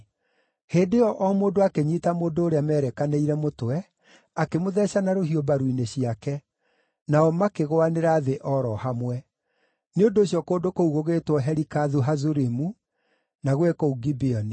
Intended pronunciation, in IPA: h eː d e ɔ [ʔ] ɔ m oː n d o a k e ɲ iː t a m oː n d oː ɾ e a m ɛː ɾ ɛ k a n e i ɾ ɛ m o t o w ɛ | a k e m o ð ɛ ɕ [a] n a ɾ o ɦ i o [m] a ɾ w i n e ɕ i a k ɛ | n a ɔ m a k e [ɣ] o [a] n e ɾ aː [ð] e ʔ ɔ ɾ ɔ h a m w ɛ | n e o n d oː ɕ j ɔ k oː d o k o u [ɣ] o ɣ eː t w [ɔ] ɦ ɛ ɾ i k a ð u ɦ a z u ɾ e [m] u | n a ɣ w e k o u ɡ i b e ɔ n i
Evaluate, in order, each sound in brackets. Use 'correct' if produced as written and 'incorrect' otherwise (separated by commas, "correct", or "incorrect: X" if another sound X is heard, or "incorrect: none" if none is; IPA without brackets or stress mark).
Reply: correct, correct, incorrect: b, correct, correct, correct, correct, correct, correct